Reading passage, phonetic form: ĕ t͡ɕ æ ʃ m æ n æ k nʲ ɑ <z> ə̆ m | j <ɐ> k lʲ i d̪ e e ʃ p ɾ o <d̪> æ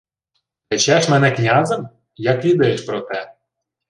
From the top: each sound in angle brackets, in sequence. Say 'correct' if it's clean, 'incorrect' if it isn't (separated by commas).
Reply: correct, incorrect, incorrect